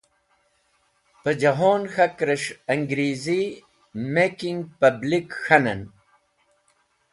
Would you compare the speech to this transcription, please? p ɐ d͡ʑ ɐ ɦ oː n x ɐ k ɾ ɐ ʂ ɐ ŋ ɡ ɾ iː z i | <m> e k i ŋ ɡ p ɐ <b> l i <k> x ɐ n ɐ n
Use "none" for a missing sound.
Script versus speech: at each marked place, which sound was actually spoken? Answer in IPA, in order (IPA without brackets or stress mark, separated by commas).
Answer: m, b, k